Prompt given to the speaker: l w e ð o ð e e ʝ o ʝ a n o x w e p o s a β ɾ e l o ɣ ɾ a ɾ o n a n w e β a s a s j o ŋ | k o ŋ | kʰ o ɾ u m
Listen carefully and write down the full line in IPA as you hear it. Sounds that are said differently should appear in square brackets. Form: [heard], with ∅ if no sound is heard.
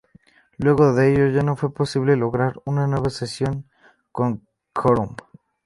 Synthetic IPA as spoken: l w e [ɣ] o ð e e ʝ o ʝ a n o [f] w e p o s [i] β [l] e l o ɣ ɾ a ɾ [u] n a n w e β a s [e] s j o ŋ | k o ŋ | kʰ o ɾ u m